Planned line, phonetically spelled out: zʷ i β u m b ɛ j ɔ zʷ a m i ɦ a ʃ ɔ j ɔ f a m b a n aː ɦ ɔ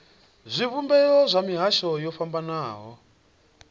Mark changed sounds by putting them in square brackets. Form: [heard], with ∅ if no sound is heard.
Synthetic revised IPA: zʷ i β u m b ɛ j ɔ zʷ a m i ɦ a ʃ ɔ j ɔ f a m b a n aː ɦ ɔ